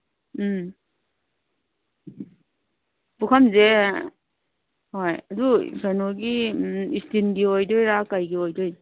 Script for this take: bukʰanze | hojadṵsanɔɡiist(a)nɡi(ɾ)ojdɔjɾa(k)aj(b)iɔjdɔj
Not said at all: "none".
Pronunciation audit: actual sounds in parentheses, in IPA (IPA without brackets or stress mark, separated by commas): i, none, k, ɡ